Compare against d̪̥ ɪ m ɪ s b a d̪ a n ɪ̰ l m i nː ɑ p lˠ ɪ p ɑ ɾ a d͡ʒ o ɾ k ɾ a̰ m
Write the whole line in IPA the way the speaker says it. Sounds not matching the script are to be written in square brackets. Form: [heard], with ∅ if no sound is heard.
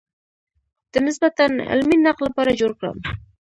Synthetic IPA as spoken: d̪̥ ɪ [n] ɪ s b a [t̪] a n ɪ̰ l m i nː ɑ [q] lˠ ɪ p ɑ ɾ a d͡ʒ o ɾ k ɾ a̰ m